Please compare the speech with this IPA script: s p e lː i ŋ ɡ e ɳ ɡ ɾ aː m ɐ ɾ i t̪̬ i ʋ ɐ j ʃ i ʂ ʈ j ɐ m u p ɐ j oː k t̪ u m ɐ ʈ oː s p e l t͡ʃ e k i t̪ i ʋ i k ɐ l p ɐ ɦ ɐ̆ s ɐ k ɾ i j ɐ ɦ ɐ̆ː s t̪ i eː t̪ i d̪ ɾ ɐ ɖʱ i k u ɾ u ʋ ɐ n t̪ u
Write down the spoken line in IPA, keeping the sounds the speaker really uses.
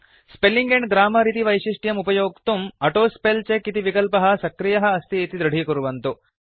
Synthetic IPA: s p e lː i ŋ ɡ e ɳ ɡ ɾ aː m ɐ ɾ i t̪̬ i ʋ ɐ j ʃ i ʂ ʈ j ɐ m u p ɐ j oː k t̪ u m ɐ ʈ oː s p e l t͡ʃ e k i t̪ i ʋ i k ɐ l p ɐ ɦ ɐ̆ s ɐ k ɾ i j ɐ ɦ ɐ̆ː s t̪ i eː t̪ i d̪ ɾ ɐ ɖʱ i k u ɾ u ʋ ɐ n t̪ u